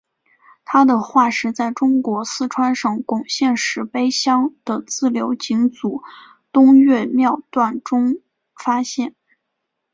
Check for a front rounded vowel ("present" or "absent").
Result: absent